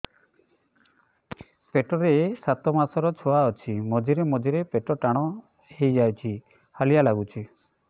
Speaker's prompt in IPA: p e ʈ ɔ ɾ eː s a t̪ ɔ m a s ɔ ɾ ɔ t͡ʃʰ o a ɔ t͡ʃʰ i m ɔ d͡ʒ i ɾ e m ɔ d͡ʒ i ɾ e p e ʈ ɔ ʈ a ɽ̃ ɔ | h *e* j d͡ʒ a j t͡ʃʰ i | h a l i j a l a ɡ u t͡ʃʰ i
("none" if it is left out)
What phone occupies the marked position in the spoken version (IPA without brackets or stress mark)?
e